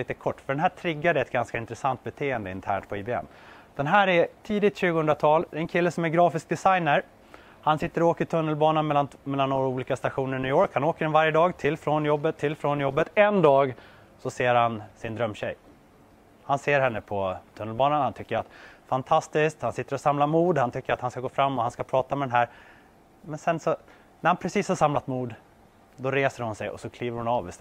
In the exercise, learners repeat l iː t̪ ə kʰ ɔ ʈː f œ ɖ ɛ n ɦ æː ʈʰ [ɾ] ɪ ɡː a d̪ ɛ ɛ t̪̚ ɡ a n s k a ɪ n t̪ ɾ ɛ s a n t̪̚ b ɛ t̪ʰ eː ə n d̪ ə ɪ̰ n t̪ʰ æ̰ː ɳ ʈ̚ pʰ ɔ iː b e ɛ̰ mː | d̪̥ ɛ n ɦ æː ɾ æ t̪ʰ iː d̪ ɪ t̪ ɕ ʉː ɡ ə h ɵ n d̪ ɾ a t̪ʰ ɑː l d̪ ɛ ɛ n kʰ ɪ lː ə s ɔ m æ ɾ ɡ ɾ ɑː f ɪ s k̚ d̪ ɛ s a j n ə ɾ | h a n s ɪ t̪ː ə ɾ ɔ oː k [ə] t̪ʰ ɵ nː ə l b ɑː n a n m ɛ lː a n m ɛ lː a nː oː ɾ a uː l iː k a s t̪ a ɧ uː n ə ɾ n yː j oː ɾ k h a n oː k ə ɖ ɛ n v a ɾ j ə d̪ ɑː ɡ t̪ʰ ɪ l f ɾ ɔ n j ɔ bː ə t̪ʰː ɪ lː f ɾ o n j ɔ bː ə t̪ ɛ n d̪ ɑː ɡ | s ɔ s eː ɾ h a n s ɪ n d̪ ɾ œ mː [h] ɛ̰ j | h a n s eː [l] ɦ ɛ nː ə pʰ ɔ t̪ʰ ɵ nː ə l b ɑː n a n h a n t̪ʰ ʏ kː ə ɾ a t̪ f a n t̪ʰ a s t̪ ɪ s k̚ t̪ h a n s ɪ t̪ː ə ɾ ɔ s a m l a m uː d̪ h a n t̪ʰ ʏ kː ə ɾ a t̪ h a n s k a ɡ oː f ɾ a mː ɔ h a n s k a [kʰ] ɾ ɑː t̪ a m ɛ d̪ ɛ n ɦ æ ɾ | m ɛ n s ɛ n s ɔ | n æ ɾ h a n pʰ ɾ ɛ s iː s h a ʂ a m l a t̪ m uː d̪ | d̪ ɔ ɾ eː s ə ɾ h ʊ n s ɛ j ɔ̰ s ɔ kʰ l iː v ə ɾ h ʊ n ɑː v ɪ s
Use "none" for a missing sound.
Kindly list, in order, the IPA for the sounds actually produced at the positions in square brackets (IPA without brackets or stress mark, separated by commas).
ɾ, ə, ɕ, ɾ, pʰ